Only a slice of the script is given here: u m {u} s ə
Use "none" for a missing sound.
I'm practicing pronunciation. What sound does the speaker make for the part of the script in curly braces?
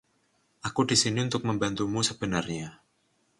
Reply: u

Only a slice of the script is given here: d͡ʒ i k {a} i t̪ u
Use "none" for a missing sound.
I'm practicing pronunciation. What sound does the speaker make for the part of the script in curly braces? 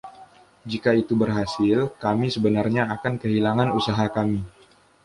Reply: a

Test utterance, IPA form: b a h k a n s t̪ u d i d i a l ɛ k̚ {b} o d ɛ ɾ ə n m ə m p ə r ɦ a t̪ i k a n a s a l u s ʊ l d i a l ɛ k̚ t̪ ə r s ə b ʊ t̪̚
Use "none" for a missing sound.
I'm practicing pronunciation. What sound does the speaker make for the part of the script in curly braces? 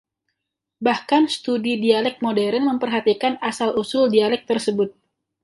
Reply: m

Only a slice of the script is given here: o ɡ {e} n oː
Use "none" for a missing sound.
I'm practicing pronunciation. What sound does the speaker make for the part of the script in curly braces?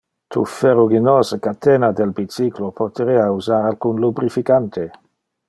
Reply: i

